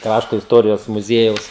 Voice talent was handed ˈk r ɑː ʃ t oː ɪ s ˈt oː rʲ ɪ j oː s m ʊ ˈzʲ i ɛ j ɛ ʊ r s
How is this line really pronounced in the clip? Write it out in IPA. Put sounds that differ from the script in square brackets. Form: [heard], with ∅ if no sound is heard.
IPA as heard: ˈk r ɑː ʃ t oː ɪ s ˈt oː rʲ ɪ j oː s m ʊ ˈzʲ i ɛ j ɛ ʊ [∅] s